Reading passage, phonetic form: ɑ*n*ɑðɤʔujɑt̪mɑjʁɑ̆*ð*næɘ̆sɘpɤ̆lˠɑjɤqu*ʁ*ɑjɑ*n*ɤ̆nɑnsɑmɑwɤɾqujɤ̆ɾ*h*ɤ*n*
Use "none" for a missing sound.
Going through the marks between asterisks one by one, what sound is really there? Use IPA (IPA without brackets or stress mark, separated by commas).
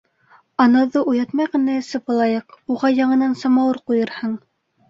n, none, ʁ, ɴ, h, ɴ